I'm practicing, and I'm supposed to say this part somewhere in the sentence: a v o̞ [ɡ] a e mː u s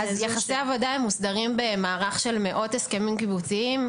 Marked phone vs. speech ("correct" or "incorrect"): incorrect